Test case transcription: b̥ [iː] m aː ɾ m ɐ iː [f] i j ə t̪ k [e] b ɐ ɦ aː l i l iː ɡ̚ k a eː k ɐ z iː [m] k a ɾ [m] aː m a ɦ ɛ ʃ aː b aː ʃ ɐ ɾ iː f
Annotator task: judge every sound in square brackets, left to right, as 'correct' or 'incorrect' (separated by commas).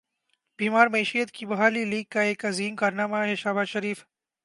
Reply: correct, incorrect, incorrect, correct, incorrect